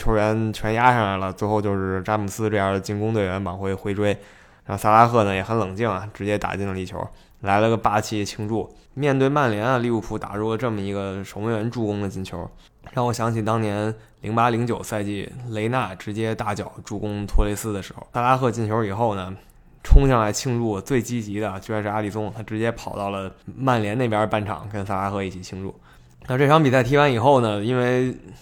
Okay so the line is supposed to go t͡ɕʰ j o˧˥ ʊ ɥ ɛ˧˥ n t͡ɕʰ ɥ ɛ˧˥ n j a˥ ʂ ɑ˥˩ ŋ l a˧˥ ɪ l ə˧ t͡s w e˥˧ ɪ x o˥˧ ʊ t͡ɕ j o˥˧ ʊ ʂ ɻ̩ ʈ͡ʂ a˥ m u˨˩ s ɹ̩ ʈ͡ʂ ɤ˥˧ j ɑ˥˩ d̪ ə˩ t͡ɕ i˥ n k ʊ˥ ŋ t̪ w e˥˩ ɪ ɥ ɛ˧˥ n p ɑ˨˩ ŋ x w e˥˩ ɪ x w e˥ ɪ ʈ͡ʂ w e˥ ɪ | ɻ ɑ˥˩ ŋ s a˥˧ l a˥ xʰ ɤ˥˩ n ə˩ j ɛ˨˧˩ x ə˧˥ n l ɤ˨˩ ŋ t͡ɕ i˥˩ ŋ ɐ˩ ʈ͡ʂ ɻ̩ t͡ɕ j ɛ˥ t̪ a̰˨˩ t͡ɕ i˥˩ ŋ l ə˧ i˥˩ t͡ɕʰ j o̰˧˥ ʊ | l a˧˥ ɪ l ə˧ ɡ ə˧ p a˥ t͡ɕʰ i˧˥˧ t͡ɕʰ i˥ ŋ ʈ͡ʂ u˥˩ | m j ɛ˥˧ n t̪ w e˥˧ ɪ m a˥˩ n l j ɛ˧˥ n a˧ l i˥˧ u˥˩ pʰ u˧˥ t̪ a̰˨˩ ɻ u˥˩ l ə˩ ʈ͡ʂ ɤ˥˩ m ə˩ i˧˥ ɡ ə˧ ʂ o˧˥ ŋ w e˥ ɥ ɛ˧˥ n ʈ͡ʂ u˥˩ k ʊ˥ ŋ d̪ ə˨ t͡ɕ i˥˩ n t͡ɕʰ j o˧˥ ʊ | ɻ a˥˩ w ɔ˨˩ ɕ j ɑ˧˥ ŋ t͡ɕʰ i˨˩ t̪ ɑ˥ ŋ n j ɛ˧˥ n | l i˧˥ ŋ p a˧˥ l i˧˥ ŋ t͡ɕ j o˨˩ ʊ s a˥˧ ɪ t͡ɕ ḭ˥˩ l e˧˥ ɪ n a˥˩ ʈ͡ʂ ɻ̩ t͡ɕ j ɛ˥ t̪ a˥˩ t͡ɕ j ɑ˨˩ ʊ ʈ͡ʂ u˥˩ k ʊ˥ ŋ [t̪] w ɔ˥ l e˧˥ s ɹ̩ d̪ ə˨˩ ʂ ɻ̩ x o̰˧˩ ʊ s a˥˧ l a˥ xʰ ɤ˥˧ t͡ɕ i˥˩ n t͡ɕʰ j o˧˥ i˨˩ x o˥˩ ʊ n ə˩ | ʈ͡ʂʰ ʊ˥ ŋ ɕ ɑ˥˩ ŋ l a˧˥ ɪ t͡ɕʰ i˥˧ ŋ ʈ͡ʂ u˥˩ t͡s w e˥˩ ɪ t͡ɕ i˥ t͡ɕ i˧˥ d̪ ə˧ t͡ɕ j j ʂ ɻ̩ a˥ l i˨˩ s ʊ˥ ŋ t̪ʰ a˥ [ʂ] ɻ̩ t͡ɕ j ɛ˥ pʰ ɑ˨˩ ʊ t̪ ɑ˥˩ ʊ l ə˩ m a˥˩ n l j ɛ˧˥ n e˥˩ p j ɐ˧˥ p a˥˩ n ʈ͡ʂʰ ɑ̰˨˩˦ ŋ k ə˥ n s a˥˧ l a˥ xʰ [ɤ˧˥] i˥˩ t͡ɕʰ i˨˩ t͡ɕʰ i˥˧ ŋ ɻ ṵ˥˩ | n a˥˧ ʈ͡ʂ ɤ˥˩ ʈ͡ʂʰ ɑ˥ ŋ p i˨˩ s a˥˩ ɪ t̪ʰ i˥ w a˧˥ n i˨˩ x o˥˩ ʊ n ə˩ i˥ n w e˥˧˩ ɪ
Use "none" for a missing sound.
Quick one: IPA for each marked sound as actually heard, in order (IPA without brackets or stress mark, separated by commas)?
t̪ʰ, ʈ͡ʂ, ɤ˥˧